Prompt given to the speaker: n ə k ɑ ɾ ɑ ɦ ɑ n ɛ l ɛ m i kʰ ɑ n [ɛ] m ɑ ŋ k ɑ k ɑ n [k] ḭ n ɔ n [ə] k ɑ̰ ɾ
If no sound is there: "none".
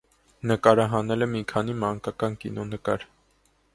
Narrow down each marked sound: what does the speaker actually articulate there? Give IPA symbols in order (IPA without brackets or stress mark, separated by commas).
i, k, ə